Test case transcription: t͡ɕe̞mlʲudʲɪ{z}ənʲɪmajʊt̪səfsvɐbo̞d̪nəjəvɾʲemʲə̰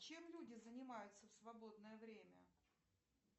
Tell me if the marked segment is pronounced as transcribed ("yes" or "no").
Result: yes